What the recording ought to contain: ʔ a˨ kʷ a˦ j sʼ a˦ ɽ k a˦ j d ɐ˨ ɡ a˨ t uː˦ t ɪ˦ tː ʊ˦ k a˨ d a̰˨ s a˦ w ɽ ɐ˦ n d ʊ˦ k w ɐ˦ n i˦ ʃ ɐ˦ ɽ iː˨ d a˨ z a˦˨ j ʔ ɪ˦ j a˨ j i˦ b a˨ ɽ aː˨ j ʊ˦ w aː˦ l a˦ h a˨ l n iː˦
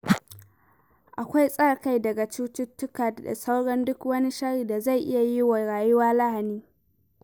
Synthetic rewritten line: ʔ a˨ kʷ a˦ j sʼ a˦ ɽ k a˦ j d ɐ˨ ɡ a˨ t͡ʃ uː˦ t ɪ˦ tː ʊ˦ k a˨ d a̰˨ s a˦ w ɽ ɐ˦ n d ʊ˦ k w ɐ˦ n i˦ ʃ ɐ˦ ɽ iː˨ d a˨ z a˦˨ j ʔ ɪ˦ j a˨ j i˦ w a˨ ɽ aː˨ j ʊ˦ w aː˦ l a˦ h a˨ n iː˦

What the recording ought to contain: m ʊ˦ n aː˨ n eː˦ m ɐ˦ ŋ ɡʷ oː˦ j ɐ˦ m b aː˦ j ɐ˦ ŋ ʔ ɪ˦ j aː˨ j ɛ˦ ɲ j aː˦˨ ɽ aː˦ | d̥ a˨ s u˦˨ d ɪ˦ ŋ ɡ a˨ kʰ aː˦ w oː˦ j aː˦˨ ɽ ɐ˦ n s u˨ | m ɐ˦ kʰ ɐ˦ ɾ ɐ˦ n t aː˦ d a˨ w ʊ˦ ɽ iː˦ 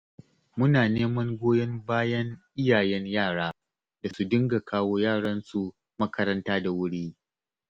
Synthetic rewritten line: m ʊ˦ n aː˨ n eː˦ m ɐ˦ ŋ ɡʷ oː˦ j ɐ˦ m b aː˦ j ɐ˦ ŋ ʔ ɪ˦ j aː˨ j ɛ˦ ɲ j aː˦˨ ɽ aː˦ | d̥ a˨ s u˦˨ d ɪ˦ ŋ ɡ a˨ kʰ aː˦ w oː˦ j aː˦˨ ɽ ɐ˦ n s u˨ | m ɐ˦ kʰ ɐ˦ ɾ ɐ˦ n t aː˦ d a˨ w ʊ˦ ɽ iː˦

